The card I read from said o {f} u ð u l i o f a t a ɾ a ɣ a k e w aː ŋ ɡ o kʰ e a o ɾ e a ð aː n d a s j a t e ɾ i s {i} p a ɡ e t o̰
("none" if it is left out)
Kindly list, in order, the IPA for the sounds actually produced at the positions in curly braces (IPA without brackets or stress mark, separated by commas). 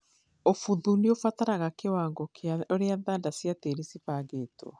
f, i